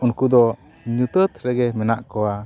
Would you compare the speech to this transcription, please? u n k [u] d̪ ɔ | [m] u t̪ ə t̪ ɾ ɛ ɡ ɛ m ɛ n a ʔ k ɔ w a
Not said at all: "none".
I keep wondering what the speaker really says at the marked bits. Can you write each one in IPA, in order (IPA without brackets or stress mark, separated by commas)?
u, ɲ